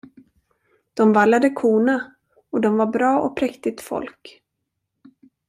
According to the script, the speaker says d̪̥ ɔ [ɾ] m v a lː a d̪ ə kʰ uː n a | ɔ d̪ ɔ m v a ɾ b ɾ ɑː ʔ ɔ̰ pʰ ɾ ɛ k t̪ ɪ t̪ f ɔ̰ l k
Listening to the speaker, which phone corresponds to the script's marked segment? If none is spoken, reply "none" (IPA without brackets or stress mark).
none